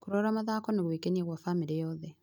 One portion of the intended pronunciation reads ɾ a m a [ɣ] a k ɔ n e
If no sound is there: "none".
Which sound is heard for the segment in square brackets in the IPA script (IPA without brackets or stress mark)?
ð